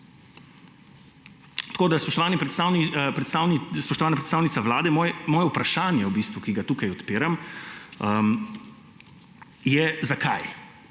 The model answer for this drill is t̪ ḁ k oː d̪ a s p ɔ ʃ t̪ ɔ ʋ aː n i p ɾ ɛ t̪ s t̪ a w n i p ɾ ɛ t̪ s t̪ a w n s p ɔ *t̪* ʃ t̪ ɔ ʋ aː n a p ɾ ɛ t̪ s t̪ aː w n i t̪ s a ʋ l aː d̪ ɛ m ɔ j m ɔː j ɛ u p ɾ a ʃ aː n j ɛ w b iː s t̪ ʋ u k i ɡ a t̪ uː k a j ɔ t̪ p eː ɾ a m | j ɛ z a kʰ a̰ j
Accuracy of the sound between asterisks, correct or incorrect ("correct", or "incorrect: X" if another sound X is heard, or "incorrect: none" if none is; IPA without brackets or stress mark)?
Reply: incorrect: none